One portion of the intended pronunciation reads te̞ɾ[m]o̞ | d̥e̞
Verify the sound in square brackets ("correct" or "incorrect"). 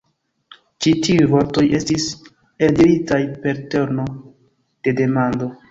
incorrect